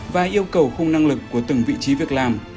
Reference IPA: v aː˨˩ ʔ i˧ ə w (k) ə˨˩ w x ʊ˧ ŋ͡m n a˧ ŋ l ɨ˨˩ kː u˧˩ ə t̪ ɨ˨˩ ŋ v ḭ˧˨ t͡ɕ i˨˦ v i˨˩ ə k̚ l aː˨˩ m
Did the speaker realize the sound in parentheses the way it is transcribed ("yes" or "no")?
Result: yes